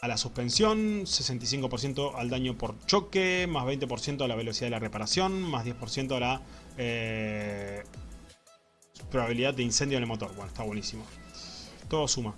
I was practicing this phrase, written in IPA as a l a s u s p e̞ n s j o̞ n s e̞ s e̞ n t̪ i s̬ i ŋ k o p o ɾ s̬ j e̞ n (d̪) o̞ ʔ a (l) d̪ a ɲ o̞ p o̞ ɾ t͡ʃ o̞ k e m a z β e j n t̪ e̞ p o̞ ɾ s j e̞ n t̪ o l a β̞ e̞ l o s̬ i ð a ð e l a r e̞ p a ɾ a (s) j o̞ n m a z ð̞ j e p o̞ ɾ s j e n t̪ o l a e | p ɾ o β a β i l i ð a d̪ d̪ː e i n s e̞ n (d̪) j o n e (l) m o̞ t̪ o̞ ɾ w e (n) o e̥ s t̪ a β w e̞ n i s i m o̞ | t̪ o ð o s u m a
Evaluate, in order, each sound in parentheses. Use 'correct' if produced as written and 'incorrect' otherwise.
incorrect: t̪, correct, correct, correct, correct, correct

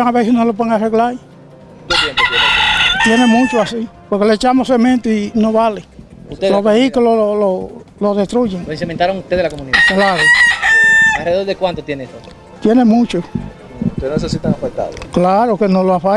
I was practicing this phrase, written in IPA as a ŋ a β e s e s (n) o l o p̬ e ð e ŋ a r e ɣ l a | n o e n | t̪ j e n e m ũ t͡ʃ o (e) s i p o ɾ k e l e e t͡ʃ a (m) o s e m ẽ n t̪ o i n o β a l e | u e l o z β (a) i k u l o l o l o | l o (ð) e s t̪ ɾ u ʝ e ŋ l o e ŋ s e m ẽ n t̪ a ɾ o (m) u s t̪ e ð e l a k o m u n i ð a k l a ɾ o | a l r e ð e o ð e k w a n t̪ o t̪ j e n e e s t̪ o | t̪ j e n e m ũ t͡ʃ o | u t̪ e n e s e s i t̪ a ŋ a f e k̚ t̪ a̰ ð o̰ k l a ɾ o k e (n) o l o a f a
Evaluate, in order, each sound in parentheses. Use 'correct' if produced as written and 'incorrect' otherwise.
correct, incorrect: a, correct, incorrect: e, correct, incorrect: ŋ, correct

